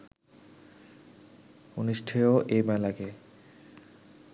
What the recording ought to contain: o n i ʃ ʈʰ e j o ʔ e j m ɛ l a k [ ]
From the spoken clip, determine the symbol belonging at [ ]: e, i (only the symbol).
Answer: e